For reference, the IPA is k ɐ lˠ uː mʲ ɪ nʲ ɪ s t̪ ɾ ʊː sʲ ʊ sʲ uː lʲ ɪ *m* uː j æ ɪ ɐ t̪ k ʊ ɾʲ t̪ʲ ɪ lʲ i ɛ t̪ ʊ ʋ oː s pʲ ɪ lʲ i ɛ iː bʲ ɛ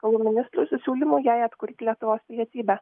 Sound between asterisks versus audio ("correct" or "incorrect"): correct